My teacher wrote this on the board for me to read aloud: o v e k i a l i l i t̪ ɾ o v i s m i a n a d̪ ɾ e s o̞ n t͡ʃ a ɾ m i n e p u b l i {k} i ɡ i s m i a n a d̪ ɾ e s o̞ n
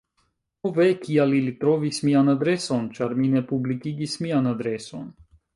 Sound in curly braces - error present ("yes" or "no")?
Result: no